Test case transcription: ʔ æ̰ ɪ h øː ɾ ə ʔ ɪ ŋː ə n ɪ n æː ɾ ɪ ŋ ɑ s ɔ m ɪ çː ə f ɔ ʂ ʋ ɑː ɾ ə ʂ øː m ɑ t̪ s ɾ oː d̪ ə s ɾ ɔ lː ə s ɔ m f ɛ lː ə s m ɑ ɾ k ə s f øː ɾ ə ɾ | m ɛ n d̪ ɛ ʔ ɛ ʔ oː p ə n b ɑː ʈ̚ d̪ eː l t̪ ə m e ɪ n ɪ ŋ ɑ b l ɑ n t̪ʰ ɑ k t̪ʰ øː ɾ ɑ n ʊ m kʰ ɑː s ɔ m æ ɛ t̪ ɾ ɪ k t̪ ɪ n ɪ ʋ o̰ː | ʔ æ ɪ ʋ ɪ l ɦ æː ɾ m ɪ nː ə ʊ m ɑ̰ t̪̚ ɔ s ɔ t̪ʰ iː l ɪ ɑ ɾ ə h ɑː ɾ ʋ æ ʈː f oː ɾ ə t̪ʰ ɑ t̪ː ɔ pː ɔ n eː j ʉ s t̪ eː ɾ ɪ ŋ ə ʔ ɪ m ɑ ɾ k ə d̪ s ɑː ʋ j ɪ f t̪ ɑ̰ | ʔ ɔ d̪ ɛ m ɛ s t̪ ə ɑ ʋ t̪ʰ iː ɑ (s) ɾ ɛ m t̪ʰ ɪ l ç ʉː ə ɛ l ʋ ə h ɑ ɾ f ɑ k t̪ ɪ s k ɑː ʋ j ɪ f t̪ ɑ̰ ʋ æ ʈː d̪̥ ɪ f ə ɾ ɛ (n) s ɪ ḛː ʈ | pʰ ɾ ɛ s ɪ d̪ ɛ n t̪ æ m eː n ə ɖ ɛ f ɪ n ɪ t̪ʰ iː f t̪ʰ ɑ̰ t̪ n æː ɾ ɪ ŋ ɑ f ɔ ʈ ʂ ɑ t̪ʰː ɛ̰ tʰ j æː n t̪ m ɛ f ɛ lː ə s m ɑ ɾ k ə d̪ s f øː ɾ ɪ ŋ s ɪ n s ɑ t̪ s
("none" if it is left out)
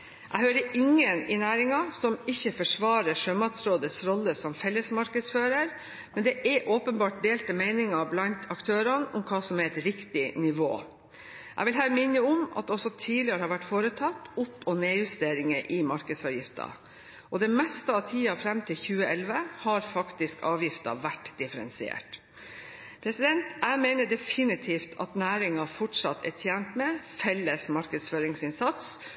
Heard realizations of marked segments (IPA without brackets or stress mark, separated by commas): f, n